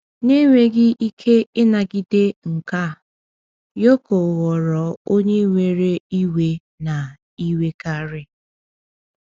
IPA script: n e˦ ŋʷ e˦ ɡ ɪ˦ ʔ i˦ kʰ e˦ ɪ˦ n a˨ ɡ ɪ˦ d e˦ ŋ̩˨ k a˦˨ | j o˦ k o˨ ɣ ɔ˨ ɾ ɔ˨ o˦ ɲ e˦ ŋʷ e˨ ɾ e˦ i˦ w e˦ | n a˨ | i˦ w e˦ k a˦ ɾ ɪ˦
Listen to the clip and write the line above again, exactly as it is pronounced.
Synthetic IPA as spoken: n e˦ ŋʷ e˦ ɡ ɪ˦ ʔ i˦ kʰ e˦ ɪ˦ n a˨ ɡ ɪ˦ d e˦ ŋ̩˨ k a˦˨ | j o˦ k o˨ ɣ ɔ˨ ɾ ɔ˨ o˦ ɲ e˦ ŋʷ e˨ ɾ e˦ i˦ w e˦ | n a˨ | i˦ w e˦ k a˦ ɾ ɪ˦